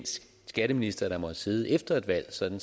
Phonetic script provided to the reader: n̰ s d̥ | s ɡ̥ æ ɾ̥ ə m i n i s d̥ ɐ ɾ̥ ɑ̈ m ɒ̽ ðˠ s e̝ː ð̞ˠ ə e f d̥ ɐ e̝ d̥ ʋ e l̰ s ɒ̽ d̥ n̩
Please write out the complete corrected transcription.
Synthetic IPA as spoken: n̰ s ɡ̥ | s ɡ̥ æ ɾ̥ ə m i n i s d̥ ɐ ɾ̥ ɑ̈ m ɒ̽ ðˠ s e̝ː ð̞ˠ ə e f d̥ ɐ e̝ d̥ ʋ æ l̰ s ɒ̽ d̥ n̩